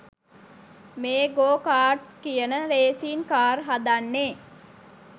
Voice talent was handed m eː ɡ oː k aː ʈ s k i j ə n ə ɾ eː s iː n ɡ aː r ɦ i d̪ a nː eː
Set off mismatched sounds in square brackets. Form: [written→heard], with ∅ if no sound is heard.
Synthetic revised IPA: m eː ɡ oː k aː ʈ s k i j ə n ə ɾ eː s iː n [ɡ→k] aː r ɦ [i→a] d̪ a nː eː